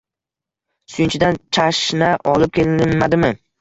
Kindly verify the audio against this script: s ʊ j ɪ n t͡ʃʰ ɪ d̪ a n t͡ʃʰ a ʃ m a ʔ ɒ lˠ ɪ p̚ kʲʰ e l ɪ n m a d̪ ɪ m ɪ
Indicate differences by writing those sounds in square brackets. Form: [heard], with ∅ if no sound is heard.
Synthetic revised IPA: s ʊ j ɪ n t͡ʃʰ ɪ d̪ a n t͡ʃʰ a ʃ [n] a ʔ ɒ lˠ ɪ p̚ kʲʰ e l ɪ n m a d̪ ɪ m ɪ